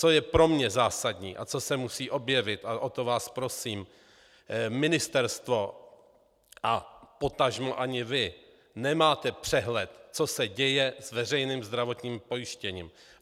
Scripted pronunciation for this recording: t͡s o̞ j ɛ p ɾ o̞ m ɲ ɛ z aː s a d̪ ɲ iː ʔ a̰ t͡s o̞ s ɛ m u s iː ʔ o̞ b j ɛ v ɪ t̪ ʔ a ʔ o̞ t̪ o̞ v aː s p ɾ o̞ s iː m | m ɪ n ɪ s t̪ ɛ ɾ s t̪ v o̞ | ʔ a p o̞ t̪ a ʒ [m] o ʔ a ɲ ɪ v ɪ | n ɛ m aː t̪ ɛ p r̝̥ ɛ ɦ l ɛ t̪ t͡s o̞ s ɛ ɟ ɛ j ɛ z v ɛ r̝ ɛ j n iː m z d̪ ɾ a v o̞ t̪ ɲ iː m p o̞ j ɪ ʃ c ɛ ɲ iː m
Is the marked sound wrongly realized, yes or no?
no